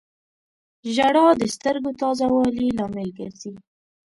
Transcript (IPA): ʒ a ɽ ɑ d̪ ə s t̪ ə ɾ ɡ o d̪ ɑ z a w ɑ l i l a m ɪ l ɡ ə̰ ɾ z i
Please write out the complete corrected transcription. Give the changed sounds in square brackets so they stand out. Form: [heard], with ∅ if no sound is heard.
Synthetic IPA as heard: ʒ a ɽ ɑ d̪ ə s t̪ ə ɾ ɡ o [t̪] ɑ z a w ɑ l i l [ɑ] m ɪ l ɡ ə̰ ɾ z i